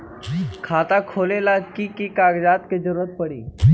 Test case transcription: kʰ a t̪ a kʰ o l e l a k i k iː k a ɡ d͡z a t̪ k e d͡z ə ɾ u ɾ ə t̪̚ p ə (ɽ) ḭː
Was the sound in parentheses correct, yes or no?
yes